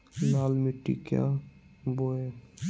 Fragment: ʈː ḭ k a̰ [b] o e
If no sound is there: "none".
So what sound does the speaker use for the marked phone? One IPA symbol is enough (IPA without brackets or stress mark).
b